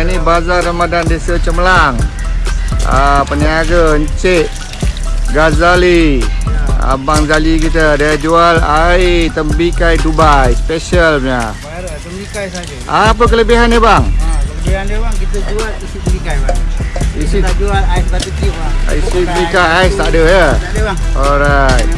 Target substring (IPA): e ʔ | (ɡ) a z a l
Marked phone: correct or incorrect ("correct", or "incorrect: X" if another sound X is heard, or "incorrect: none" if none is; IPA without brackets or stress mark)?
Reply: correct